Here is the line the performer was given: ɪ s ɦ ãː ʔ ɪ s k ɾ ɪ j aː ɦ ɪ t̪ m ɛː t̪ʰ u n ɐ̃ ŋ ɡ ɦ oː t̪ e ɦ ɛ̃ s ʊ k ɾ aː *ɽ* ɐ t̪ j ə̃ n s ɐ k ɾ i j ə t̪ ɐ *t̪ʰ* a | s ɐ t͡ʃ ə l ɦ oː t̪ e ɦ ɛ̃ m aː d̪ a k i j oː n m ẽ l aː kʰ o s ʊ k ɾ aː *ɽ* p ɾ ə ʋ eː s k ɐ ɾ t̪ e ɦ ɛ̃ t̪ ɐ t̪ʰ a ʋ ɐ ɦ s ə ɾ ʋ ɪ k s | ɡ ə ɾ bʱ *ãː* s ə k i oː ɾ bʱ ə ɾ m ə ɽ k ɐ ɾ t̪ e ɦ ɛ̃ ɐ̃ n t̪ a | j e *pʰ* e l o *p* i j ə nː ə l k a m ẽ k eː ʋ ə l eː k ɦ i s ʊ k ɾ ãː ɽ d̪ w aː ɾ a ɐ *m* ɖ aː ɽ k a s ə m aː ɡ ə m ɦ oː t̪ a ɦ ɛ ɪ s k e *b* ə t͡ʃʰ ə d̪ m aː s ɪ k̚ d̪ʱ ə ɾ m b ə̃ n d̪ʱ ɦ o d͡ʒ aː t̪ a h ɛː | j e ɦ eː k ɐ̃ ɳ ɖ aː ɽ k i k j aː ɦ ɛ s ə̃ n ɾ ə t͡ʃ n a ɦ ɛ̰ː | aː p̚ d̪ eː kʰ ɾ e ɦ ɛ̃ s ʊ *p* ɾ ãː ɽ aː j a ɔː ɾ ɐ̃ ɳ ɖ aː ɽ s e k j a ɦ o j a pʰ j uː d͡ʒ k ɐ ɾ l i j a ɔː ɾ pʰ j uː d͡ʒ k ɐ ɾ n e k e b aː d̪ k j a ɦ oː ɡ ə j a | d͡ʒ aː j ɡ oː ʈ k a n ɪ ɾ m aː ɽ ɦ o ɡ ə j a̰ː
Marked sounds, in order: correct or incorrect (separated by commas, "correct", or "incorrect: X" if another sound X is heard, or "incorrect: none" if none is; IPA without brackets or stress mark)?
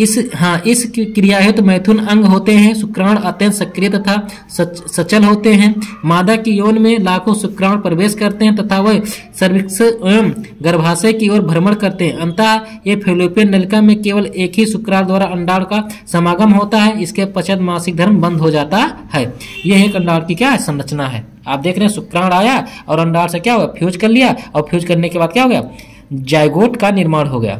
correct, correct, correct, incorrect: aː, correct, correct, incorrect: ɳ, incorrect: p, incorrect: k